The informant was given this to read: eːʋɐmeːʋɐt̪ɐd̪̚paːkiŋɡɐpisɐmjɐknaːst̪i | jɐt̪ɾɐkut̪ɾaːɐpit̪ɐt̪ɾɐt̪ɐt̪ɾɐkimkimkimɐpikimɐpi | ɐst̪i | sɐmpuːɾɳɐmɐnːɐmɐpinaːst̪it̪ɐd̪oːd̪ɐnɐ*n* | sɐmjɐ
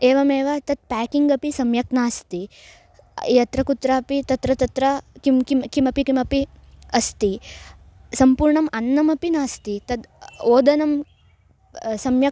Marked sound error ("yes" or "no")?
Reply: yes